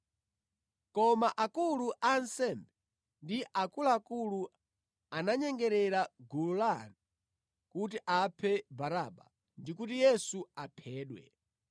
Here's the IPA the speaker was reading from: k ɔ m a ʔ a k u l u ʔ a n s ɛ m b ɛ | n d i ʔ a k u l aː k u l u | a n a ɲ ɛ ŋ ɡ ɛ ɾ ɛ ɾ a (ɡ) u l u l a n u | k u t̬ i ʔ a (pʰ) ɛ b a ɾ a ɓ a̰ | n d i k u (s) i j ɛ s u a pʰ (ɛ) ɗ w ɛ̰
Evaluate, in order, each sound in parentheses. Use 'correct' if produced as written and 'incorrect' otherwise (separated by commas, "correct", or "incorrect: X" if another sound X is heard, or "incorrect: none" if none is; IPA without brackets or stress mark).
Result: correct, correct, incorrect: t, incorrect: ɛː